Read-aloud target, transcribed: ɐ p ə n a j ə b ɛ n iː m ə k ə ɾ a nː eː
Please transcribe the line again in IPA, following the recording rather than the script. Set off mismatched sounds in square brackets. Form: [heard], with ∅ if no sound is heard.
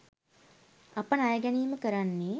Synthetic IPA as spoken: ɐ p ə n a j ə [ɡ] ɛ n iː m ə k ə ɾ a nː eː